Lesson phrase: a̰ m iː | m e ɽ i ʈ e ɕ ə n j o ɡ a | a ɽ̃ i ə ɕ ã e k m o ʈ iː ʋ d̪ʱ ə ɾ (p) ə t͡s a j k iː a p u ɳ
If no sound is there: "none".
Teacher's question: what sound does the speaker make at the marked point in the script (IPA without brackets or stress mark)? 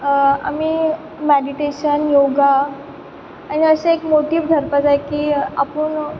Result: p